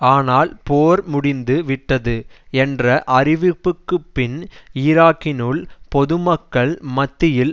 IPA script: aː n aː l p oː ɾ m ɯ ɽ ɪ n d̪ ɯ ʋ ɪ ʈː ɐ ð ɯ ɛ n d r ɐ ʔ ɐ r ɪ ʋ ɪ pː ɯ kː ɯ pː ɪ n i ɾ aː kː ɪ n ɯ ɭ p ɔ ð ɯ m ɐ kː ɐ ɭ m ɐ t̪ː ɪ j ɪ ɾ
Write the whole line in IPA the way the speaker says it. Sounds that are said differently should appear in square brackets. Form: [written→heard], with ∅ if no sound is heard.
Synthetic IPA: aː n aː l p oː ɾ m [ɯ→ʊ] ɽ ɪ n d̪ ɯ ʋ ɪ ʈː ɐ ð ɯ ɛ n d r ɐ ʔ ɐ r ɪ ʋ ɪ pː ɯ kː ɯ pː ɪ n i ɾ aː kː ɪ n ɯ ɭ p ɔ ð ɯ m ɐ kː ɐ ɭ m ɐ t̪ː ɪ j ɪ [ɾ→l]

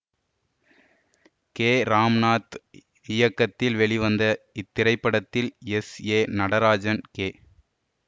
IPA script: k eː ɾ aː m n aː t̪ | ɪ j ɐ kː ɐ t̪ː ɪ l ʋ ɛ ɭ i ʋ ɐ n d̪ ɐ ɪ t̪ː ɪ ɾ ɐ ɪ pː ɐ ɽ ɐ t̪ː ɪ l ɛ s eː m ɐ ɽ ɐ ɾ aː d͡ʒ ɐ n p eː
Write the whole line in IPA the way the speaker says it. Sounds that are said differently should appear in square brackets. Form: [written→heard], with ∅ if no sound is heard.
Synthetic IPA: k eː ɾ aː m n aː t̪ | ɪ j ɐ kː ɐ t̪ː ɪ l ʋ ɛ ɭ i ʋ ɐ n d̪ ɐ ɪ t̪ː ɪ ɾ ɐ ɪ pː ɐ ɽ ɐ t̪ː ɪ l ɛ s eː [m→n] ɐ ɽ ɐ ɾ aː d͡ʒ ɐ n [p→k] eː

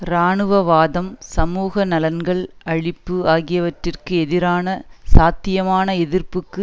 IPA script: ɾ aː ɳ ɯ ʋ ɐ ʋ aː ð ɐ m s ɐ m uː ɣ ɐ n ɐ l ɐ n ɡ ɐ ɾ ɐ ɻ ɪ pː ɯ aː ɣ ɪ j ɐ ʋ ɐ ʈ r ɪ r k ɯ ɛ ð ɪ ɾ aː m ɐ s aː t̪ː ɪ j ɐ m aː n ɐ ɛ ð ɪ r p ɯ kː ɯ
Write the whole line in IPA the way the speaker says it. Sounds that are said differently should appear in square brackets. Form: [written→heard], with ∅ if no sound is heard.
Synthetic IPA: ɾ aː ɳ ɯ ʋ ɐ ʋ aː ð ɐ m s ɐ m uː ɣ ɐ n ɐ l ɐ n ɡ ɐ [ɾ→ɭ] ɐ ɻ ɪ pː ɯ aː ɣ ɪ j ɐ ʋ ɐ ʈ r ɪ r k ɯ ɛ ð ɪ ɾ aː [m→n] ɐ s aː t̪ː ɪ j ɐ m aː n ɐ ɛ ð ɪ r p ɯ kː ɯ

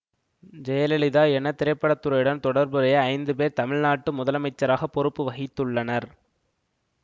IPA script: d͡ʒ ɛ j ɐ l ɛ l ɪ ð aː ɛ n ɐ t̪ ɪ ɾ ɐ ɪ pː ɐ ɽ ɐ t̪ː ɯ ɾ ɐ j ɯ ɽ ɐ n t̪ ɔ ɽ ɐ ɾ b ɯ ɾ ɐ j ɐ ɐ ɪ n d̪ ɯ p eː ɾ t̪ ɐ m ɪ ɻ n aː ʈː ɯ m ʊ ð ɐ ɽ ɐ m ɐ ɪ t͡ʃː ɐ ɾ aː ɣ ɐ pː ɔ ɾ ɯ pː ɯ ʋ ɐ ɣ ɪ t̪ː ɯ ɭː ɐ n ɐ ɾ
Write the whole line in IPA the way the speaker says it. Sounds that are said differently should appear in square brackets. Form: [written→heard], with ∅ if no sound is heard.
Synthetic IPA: d͡ʒ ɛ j ɐ l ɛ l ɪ ð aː ɛ n ɐ t̪ ɪ ɾ ɐ ɪ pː ɐ ɽ ɐ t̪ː ɯ ɾ ɐ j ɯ ɽ ɐ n t̪ ɔ ɽ ɐ ɾ b ɯ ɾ ɐ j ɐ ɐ ɪ n d̪ ɯ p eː ɾ t̪ ɐ m ɪ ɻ n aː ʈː ɯ m ʊ ð ɐ [ɽ→l] ɐ m ɐ ɪ t͡ʃː ɐ ɾ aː ɣ ɐ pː ɔ ɾ ɯ pː ɯ ʋ ɐ ɣ ɪ t̪ː ɯ ɭː ɐ n ɐ ɾ

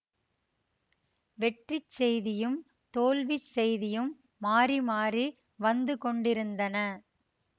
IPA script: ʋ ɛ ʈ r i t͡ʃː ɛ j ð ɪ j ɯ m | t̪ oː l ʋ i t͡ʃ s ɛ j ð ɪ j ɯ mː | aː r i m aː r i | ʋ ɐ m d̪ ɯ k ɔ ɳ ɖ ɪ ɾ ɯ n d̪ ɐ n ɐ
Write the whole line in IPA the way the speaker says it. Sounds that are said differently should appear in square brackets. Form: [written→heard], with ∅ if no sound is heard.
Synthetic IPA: ʋ ɛ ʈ r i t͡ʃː ɛ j ð ɪ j ɯ m | t̪ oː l ʋ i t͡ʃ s ɛ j ð ɪ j ɯ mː | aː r i m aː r i | ʋ ɐ [m→n] d̪ ɯ k ɔ ɳ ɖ ɪ ɾ ɯ n d̪ ɐ n ɐ

